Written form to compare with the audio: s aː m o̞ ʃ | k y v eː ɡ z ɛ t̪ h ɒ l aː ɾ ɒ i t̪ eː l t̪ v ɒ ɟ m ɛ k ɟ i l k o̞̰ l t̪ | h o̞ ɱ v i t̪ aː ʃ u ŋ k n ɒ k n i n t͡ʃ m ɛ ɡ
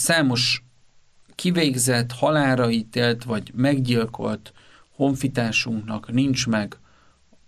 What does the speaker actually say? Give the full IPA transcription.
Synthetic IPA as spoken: s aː m o̞ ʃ | k i v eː ɡ z ɛ t̪ h ɒ l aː ɾ ɒ i t̪ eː l t̪ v ɒ ɟ m ɛ ɡ ɟ i l k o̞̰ l t̪ | h o̞ ɱ f i t̪ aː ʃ u ŋ k n ɒ k n i n t͡ʃ m ɛ ɡ